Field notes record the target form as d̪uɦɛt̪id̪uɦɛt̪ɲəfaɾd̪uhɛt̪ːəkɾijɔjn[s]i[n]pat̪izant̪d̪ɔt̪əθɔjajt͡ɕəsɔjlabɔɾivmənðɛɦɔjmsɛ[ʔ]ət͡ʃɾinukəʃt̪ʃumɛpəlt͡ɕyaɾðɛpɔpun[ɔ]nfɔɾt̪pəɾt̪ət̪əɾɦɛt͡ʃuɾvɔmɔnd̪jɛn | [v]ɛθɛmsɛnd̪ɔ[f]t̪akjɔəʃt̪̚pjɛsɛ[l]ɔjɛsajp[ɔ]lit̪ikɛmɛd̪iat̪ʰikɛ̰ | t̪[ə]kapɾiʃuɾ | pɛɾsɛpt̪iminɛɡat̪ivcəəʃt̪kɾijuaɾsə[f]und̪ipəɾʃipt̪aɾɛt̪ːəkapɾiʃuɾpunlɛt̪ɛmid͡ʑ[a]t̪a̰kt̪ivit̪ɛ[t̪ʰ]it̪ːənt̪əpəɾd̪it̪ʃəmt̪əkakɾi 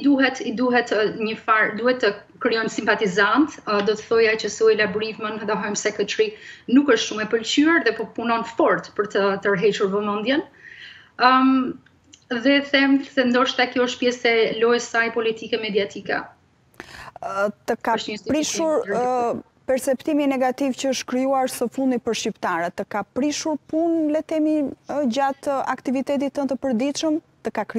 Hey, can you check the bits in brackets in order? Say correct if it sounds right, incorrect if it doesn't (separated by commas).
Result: correct, incorrect, incorrect, correct, incorrect, incorrect, correct, correct, correct, correct, correct, incorrect